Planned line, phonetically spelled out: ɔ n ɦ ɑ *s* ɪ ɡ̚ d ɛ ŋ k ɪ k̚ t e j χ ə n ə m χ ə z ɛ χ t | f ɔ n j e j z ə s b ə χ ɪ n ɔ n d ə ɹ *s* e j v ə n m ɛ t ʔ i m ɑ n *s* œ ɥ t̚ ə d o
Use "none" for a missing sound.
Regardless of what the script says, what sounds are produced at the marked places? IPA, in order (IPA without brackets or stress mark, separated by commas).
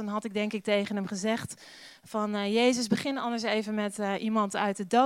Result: t, s, t